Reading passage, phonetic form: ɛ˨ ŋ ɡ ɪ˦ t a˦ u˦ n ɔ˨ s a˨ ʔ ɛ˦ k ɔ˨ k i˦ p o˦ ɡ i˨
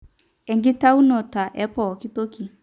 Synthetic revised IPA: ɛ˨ ŋ ɡ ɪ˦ t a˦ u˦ n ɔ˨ t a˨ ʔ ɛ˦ p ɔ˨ k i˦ t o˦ k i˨